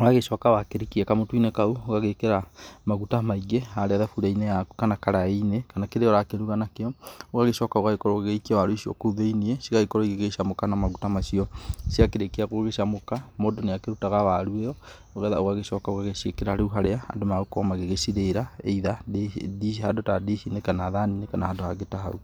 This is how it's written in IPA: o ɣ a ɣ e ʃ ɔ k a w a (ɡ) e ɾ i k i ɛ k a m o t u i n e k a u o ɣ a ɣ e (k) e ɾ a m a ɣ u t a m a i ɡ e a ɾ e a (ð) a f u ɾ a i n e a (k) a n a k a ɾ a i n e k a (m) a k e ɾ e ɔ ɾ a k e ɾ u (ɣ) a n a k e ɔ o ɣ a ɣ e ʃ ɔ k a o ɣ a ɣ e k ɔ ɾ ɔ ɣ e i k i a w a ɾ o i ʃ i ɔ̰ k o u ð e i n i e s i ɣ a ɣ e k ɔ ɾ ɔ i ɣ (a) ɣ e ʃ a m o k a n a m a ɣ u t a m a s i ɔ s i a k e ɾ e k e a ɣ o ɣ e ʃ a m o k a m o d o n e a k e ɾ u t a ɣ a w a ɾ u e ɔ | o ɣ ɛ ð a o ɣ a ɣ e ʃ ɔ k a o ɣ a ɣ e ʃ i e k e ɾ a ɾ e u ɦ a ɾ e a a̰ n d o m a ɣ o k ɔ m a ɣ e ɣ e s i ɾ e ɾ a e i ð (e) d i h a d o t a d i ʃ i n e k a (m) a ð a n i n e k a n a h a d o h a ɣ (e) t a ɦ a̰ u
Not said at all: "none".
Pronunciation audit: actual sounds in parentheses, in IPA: k, k, ð, k, n, ɣ, e, a, n, e

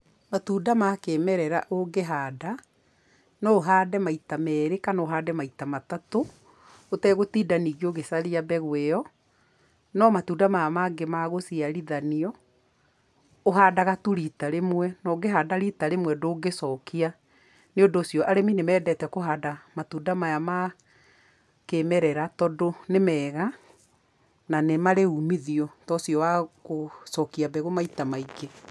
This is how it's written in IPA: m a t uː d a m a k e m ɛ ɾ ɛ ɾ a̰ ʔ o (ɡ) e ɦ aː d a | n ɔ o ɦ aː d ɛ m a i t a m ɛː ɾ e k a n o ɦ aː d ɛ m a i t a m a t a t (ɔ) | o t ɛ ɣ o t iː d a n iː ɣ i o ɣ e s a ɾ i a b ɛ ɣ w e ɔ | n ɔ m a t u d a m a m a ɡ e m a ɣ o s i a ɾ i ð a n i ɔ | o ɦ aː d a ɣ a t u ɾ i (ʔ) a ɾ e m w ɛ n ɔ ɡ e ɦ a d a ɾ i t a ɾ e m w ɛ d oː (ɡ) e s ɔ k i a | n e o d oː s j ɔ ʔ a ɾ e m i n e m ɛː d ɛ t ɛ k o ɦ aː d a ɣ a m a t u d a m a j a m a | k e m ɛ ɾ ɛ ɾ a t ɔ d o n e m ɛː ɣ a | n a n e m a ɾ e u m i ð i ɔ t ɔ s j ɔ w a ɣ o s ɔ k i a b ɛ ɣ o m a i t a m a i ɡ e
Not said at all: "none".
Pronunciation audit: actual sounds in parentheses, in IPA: ɡ, o, t, ɡ

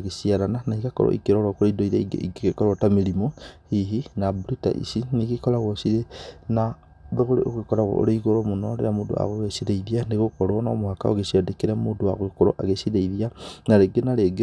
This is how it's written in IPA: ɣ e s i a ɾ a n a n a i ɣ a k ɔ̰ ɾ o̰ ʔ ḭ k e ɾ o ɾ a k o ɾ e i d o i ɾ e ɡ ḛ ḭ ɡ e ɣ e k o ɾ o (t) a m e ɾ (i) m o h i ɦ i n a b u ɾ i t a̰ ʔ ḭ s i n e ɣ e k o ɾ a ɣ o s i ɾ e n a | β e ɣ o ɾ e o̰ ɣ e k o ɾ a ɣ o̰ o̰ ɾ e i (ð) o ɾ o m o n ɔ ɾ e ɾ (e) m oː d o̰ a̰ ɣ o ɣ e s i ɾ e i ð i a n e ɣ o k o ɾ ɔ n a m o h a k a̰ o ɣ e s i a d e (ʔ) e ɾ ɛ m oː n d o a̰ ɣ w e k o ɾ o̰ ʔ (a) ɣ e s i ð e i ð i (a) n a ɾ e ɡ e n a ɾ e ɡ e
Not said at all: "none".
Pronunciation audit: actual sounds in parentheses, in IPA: t, i, ɣ, a, k, a, a

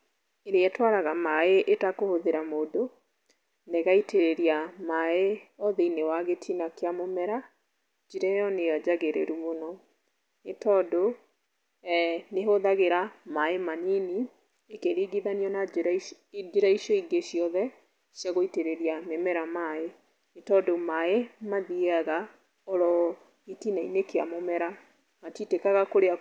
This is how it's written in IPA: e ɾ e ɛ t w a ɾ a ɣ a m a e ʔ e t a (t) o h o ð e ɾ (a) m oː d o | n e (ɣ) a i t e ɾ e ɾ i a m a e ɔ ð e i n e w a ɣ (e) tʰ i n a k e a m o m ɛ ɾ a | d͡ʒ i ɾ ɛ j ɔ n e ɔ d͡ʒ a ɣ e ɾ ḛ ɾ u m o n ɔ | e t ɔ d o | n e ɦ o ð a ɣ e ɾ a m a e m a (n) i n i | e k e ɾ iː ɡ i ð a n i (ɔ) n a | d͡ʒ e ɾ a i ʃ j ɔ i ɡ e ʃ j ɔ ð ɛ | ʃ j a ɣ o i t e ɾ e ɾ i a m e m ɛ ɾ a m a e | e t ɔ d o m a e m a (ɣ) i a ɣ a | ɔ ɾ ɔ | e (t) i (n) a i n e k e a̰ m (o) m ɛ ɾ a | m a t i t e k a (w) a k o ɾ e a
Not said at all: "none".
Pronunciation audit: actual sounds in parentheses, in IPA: k, a, ɣ, e, n, ɔ, ð, t, n, o, ɣ

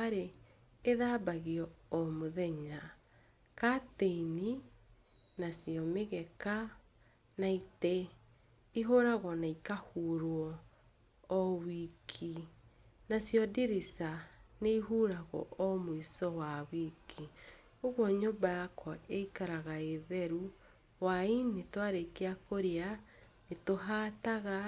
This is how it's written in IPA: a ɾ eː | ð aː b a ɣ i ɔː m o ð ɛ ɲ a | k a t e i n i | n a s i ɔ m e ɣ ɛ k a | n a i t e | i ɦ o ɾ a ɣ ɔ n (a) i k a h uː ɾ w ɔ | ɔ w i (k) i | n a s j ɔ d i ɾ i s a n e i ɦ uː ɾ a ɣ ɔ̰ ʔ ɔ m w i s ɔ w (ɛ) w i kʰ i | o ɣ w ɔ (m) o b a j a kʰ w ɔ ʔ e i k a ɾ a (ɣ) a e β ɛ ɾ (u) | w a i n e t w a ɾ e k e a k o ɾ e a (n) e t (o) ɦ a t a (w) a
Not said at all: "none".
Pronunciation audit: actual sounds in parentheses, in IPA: a, kʰ, a, ɲ, ɣ, u, n, o, ɣ

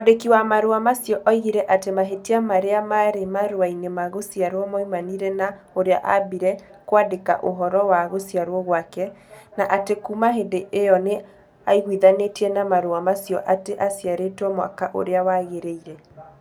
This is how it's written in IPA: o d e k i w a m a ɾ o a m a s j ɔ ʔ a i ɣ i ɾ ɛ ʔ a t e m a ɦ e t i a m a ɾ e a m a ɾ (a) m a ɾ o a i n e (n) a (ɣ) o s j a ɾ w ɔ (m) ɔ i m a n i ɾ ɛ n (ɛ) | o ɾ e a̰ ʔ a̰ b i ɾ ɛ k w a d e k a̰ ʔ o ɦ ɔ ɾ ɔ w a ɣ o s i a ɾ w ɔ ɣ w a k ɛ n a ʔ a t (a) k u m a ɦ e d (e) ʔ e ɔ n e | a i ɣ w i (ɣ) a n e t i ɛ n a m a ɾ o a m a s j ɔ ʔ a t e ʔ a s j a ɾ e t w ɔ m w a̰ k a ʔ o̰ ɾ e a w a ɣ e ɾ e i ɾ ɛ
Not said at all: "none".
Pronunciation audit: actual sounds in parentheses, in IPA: e, m, ɣ, m, a, e, e, ð

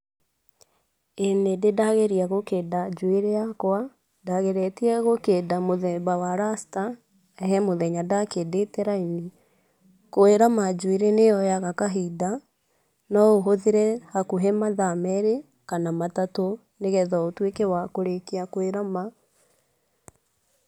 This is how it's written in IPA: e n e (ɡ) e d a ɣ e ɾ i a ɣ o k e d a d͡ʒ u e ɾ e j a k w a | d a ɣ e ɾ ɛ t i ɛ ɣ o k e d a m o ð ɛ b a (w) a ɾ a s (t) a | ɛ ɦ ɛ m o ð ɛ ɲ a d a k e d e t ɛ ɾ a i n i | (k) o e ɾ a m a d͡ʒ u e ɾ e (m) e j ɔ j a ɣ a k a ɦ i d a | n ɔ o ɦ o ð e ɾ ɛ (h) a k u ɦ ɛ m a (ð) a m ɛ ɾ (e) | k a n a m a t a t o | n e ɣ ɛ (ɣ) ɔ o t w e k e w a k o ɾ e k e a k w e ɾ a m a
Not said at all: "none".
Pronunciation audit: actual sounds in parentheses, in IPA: d, w, t, k, n, h, ð, e, ð

